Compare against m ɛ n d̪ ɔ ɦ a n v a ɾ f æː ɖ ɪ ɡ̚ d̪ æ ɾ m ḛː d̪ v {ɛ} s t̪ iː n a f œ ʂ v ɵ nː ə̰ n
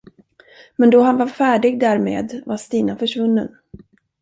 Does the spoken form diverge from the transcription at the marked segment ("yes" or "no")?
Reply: yes